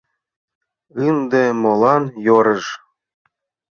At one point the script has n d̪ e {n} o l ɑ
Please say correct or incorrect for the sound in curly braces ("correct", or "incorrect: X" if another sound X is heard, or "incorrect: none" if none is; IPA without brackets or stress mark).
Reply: incorrect: m